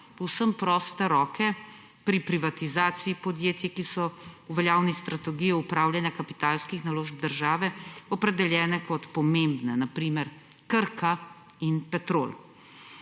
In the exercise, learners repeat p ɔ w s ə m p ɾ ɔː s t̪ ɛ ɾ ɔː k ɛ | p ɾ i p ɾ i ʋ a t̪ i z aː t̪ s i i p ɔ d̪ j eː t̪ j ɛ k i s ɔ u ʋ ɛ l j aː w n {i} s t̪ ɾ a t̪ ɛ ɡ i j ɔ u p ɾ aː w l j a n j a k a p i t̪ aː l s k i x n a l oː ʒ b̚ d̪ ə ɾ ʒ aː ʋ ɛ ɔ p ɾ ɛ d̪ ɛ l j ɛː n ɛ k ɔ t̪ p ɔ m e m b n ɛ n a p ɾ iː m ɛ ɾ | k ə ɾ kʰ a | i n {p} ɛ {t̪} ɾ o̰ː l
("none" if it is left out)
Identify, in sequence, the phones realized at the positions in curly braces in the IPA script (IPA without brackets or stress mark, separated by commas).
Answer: i, p, t̪